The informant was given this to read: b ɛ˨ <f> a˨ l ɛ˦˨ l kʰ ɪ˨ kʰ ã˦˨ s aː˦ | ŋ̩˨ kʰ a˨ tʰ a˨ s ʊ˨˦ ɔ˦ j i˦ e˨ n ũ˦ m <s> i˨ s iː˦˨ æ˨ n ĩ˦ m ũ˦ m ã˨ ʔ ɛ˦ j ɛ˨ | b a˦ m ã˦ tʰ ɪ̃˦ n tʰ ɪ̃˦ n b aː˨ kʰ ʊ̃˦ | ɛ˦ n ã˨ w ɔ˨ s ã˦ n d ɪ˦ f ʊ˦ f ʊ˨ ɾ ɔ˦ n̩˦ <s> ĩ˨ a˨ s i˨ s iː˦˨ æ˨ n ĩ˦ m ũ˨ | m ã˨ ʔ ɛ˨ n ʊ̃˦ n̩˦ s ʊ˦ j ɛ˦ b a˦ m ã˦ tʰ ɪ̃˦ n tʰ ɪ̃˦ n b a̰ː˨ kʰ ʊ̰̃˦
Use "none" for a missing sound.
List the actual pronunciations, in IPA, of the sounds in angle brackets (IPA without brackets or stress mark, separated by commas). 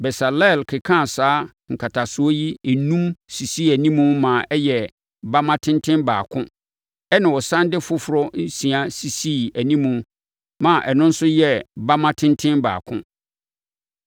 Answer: s, s, s